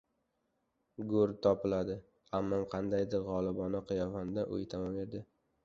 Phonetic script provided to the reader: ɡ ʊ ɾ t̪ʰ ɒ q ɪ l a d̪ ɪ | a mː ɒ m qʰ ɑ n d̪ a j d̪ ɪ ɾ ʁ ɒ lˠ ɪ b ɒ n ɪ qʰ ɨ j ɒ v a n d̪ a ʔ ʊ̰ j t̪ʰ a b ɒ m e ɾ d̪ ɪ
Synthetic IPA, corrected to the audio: ɡ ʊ ɾ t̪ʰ ɒ p ɪ l a d̪ ɪ | a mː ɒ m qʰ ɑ n d̪ a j d̪ ɪ ɾ ʁ ɒ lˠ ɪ b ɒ n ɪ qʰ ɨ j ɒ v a n d̪ a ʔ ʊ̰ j t̪ʰ a m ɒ m e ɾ d̪ ɪ